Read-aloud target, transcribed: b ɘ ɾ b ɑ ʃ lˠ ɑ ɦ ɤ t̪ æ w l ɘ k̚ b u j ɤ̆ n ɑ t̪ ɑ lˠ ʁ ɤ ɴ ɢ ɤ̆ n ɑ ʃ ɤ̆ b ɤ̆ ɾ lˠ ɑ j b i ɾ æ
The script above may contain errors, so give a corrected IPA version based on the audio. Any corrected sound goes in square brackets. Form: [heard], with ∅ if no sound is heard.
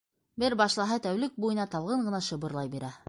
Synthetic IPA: b ɘ ɾ b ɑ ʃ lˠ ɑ ɦ ɤ t̪ æ w l ɘ k̚ b u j ɤ̆ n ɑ t̪ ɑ lˠ ʁ ɤ ɴ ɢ ɤ̆ n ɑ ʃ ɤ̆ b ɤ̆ ɾ lˠ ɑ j b i ɾ æ

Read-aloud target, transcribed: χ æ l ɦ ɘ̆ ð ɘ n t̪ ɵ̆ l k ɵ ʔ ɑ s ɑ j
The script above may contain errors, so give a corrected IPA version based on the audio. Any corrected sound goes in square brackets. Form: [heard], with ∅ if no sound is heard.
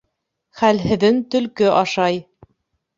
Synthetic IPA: χ æ l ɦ ɘ̆ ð ɘ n t̪ ɵ̆ l k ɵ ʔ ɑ [ʃ] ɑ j

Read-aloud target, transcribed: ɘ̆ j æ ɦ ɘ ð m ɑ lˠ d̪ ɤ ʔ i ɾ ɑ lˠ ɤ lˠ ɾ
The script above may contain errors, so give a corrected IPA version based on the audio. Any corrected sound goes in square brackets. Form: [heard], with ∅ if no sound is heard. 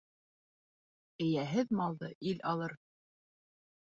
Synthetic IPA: ɘ̆ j æ ɦ ɘ ð m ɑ lˠ d̪ ɤ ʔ i [l] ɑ lˠ ɤ [∅] ɾ

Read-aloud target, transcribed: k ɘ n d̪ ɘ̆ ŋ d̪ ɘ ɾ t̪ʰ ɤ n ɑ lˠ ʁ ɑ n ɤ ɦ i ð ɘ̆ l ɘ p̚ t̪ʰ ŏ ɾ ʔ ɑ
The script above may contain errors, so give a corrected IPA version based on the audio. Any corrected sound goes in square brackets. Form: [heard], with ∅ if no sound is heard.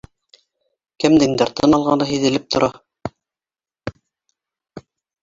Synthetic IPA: k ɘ [m] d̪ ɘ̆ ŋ d̪ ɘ ɾ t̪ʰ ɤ n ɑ lˠ ʁ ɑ n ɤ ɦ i ð ɘ̆ l ɘ p̚ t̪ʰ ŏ ɾ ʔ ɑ

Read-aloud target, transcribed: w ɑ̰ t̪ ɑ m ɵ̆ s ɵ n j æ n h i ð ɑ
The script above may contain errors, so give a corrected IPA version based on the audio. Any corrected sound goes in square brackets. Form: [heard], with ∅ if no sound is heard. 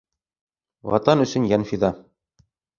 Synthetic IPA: w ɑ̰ t̪ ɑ [n] ɵ̆ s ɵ n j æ n [f] i ð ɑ

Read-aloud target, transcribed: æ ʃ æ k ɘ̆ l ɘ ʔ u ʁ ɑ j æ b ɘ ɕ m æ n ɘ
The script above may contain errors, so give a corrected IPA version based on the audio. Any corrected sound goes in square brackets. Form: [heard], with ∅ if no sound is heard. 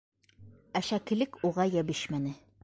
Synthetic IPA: æ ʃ æ k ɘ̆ l ɘ [k] u ʁ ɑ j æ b ɘ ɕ m æ n ɘ

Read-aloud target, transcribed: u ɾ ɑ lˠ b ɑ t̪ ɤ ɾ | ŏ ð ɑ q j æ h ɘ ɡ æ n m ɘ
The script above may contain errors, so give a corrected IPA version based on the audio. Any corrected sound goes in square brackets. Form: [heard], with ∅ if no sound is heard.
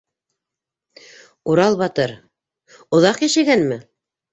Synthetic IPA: u ɾ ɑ lˠ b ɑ t̪ ɤ ɾ | ŏ ð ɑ q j æ [ʃ] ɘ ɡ æ n m ɘ

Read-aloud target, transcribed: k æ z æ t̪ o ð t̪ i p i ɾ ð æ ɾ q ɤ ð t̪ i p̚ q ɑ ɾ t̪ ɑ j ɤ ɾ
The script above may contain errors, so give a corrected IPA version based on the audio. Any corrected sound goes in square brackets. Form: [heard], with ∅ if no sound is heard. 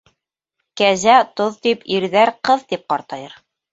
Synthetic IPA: k æ z æ t̪ o ð t̪ i p i ɾ ð æ ɾ q ɤ ð t̪ i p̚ q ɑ ɾ t̪ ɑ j ɤ ɾ

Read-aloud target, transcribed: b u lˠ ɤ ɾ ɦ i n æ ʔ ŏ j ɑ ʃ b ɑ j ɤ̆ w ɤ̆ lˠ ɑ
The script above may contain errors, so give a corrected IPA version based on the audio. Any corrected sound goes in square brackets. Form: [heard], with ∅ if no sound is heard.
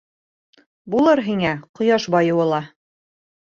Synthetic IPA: b u lˠ ɤ ɾ ɦ i [ŋ] æ [q] ŏ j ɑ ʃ b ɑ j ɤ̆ w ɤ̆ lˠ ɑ

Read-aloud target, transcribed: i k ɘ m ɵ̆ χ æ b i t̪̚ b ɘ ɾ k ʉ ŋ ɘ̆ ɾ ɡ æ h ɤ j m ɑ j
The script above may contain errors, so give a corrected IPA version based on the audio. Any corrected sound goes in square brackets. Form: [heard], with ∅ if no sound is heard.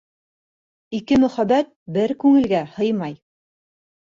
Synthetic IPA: i k ɘ m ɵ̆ χ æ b [æ] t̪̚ b ɘ ɾ k ʉ ŋ ɘ̆ [l] ɡ æ h ɤ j m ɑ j

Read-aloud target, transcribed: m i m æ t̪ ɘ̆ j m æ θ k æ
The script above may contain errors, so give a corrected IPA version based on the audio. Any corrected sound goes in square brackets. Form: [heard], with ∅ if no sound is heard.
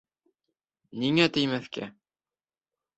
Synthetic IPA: [n] i [ŋ] æ t̪ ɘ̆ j m æ θ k æ

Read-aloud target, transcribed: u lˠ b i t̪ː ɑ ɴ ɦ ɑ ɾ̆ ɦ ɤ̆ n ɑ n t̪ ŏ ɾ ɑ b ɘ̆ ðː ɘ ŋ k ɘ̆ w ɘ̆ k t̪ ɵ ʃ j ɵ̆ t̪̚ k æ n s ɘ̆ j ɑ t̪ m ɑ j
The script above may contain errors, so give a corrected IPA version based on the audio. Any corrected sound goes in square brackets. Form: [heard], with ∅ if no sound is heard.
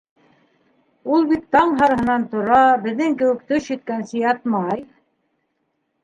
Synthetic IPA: u lˠ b i t̪ː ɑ ɴ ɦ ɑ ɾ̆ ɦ ɤ̆ n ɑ n t̪ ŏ ɾ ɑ b ɘ̆ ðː ɘ ŋ k ɘ̆ w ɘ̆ k t̪ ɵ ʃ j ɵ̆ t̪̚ k æ n s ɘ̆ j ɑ t̪ m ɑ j

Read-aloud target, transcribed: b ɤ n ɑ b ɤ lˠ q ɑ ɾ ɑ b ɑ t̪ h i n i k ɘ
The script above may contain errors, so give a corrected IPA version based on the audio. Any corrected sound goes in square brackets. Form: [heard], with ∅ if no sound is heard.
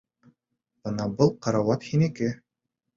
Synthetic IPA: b ɤ n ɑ b ɤ lˠ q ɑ ɾ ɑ [w] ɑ t̪ h i n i k ɘ

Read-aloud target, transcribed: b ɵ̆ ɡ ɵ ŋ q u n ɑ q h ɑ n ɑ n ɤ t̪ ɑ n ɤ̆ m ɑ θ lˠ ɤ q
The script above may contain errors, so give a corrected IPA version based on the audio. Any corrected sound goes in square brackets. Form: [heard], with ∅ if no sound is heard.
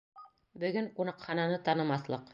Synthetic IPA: b ɵ̆ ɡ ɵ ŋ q u n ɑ q [χ] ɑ n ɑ n ɤ t̪ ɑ n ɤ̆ m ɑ θ lˠ ɤ q

